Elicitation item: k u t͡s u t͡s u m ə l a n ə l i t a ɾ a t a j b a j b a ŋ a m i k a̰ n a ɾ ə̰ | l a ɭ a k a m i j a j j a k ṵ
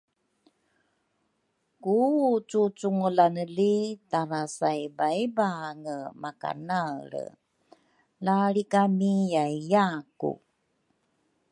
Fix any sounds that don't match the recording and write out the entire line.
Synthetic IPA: k u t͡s u t͡s u ŋ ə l a n ə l i t a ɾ a s a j b a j b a ŋ ə m a k a̰ n a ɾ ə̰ | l a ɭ i k a m i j a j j a k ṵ